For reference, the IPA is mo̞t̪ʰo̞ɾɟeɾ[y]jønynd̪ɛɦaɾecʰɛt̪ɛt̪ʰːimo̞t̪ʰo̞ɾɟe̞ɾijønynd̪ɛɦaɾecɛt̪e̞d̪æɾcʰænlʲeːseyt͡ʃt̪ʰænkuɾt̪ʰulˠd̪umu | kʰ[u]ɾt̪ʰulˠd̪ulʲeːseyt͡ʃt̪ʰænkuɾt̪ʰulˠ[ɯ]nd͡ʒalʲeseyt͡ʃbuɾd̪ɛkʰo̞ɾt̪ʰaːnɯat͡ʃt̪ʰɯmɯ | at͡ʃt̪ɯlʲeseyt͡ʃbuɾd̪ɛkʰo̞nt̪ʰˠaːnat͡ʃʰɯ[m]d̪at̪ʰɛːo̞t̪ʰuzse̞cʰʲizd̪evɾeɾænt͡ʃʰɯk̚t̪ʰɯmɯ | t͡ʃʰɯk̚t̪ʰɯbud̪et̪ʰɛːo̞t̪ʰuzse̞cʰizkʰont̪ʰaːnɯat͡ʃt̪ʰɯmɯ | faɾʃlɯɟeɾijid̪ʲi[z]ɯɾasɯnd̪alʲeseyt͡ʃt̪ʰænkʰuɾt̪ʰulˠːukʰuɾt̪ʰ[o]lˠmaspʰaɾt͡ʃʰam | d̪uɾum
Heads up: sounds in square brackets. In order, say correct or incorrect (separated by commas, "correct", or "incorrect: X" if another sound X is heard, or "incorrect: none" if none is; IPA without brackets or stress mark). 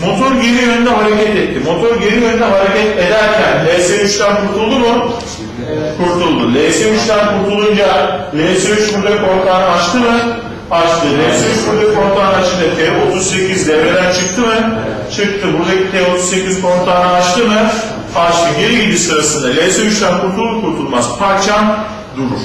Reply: incorrect: i, correct, incorrect: u, incorrect: n, incorrect: s, incorrect: u